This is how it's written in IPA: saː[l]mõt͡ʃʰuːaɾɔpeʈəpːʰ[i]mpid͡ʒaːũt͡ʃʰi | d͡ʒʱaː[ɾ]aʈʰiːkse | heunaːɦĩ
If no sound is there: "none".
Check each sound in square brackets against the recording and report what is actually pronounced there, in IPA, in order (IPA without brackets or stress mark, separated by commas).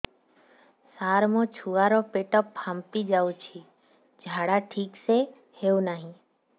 ɾ, a, ɽ